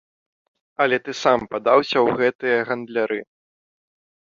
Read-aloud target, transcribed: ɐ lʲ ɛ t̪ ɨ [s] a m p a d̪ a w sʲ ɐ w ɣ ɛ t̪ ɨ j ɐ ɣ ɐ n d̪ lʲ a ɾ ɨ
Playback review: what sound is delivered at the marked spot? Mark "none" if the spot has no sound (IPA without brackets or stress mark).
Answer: s